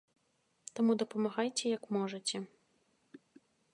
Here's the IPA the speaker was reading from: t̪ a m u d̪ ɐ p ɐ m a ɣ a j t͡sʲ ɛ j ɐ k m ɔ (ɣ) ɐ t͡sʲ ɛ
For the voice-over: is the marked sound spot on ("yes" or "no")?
no